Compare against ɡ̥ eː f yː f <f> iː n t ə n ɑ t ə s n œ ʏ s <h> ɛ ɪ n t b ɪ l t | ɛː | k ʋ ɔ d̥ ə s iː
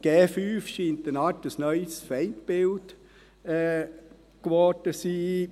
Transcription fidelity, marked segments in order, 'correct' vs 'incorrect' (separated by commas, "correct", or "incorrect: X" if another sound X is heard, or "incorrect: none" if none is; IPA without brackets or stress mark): incorrect: ʃ, incorrect: f